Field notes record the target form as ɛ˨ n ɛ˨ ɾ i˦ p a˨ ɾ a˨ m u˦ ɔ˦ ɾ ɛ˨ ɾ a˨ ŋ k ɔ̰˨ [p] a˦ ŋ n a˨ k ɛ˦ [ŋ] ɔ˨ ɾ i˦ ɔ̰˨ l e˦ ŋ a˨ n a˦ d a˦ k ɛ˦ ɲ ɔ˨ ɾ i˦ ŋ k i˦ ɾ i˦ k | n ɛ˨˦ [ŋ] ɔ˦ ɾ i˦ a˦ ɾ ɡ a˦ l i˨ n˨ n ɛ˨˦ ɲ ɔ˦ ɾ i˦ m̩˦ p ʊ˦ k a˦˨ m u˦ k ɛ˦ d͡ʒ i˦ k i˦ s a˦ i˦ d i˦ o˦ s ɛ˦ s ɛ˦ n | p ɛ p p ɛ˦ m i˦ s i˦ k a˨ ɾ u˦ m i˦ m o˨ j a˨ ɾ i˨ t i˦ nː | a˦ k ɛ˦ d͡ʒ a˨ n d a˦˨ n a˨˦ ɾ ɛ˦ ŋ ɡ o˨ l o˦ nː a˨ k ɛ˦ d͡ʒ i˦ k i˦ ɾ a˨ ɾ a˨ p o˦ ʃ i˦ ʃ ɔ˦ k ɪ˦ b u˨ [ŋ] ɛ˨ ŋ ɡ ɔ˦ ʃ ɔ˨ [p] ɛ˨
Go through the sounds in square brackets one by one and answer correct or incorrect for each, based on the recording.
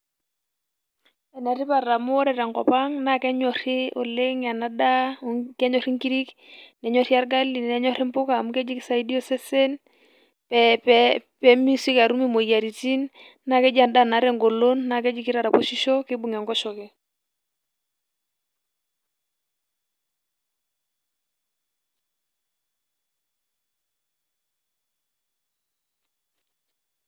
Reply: correct, incorrect: ɲ, incorrect: ɲ, correct, incorrect: k

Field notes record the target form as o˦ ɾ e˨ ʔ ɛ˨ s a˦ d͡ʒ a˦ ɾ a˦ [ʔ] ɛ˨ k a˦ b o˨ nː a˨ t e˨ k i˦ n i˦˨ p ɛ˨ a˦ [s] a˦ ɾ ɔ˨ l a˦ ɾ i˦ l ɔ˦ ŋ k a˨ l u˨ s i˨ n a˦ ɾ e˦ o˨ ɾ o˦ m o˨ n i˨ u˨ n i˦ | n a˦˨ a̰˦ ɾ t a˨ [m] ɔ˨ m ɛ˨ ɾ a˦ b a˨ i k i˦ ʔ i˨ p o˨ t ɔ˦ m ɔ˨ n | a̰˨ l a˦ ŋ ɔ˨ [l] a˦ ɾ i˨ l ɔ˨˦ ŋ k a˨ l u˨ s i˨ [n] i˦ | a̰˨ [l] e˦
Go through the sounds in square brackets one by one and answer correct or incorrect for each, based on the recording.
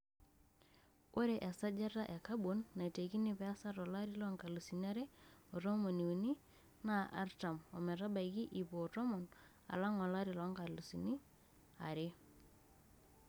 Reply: correct, correct, correct, correct, correct, incorrect: ɾ

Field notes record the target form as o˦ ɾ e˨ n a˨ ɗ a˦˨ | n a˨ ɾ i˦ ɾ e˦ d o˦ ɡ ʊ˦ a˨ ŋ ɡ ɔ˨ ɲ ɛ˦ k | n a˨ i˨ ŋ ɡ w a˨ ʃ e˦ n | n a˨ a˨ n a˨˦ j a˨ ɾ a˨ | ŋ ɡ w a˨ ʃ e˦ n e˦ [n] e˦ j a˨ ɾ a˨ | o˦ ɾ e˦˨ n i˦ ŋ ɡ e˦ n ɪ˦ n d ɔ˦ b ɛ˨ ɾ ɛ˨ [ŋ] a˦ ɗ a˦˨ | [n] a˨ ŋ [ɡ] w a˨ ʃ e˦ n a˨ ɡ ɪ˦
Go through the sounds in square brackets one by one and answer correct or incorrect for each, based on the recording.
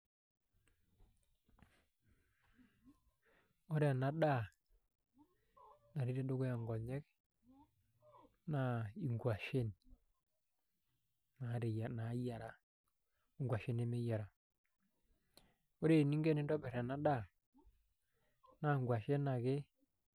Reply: incorrect: m, incorrect: n, correct, correct

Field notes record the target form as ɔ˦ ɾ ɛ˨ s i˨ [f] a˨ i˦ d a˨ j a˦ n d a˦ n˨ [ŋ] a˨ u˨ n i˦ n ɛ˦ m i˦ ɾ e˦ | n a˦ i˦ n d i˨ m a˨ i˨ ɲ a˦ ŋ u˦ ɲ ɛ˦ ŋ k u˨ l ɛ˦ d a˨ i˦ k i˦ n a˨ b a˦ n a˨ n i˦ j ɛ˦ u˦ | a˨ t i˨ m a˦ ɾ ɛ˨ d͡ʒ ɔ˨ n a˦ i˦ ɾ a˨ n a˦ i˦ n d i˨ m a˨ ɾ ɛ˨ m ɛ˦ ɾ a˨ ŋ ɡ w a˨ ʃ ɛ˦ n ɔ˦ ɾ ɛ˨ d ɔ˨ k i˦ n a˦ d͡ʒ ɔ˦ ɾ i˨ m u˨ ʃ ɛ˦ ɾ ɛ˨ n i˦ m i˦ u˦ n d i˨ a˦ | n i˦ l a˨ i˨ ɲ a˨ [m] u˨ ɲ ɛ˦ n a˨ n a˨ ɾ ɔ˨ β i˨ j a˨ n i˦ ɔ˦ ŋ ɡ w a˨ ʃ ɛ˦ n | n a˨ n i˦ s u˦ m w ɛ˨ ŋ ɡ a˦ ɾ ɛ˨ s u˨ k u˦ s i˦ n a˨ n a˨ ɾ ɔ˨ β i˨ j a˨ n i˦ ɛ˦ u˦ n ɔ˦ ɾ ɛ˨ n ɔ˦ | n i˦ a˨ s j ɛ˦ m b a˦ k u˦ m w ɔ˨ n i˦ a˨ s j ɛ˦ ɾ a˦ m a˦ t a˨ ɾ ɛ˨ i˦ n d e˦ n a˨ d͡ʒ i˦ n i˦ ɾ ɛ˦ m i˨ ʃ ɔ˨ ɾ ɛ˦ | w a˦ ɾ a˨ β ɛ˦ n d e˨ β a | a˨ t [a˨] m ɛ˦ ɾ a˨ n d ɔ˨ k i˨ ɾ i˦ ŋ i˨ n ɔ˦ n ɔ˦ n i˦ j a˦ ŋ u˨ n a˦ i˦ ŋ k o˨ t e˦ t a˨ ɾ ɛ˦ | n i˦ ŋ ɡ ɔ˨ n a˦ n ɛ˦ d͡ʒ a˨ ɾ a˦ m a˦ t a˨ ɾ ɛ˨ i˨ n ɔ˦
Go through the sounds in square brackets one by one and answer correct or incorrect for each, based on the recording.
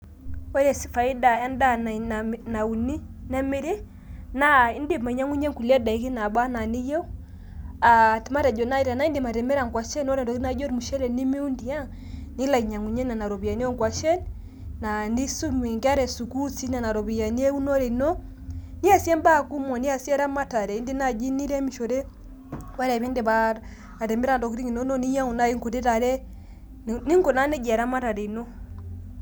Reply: correct, incorrect: n, incorrect: ŋ, incorrect: ɛ˨

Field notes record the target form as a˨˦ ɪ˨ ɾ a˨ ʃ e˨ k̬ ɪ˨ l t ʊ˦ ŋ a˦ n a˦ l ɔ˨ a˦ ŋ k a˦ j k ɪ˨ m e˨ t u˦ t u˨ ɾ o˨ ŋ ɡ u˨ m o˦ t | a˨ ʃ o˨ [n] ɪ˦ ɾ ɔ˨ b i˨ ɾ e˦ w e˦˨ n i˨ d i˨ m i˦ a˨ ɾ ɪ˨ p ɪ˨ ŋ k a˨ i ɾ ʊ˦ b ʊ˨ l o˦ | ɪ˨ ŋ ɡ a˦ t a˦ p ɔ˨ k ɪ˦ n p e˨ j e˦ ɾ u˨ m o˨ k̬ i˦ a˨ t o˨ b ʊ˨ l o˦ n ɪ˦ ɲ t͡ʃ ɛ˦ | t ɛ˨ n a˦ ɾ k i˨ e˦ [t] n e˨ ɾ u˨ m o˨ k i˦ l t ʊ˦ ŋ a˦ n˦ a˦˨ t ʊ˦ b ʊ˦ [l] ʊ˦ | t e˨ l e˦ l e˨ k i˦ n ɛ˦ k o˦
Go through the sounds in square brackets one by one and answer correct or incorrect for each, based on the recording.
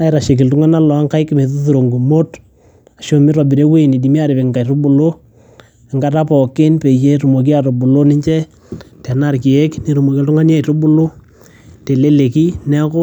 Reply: incorrect: m, incorrect: k, correct

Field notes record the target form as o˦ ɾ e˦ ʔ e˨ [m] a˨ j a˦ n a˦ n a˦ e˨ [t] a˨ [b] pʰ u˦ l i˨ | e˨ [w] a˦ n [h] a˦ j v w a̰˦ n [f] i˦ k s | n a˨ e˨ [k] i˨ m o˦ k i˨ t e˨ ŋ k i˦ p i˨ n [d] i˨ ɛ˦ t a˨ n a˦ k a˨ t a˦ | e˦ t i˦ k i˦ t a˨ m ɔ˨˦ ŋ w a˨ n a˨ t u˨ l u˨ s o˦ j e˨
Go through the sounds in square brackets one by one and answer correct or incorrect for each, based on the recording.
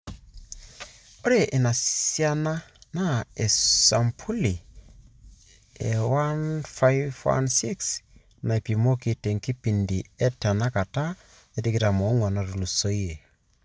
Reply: incorrect: n, incorrect: s, incorrect: m, correct, incorrect: f, incorrect: s, incorrect: p, correct

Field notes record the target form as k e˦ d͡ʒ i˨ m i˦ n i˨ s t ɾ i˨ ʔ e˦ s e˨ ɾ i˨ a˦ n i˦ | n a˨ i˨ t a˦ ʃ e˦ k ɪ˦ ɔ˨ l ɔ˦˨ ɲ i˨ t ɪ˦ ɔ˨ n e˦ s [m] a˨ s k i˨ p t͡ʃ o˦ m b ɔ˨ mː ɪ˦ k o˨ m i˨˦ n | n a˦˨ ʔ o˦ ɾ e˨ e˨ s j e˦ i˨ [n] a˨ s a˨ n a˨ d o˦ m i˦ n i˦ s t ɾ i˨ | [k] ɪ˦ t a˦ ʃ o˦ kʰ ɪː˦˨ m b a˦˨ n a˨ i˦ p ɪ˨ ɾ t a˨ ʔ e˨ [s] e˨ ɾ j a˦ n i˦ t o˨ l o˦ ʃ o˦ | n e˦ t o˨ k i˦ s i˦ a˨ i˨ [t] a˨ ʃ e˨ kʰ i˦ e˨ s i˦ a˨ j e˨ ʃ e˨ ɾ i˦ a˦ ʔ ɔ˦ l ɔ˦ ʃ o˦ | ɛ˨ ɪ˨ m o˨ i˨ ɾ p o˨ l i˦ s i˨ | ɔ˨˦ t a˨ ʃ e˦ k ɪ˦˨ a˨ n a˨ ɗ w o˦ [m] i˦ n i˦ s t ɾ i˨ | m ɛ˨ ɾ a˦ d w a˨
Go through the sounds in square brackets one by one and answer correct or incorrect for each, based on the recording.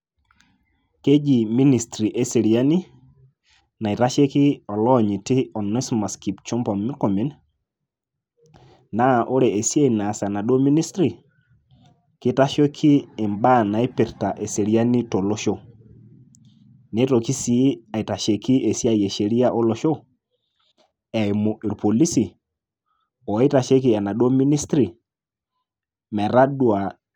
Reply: correct, correct, correct, correct, correct, correct

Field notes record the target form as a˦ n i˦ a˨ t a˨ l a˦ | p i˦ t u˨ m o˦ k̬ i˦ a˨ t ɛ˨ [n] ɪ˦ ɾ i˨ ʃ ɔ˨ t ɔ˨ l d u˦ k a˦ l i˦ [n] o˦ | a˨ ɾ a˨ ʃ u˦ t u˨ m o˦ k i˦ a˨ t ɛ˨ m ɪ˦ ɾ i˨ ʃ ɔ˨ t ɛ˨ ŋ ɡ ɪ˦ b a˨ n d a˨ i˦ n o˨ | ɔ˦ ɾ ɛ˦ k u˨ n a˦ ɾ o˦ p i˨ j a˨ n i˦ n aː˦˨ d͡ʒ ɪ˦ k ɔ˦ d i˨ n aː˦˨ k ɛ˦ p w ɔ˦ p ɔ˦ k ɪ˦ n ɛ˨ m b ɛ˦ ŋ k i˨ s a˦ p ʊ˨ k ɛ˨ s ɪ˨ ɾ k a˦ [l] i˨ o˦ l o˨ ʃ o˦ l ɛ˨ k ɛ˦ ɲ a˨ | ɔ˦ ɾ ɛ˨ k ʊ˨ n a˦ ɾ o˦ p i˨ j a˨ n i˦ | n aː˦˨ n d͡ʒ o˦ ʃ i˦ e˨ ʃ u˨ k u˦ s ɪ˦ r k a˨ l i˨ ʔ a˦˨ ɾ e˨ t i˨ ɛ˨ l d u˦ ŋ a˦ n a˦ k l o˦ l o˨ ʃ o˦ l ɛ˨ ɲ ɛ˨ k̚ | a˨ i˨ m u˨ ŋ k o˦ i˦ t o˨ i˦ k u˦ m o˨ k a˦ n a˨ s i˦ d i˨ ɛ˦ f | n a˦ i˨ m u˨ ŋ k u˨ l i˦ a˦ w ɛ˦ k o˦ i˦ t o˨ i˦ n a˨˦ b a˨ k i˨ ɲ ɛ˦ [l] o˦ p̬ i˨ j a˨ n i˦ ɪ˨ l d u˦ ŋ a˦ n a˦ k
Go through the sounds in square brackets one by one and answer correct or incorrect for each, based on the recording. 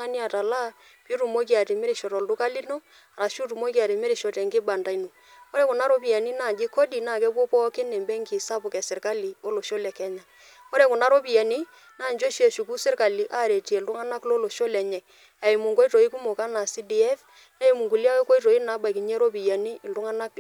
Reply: incorrect: m, correct, correct, incorrect: ɾ

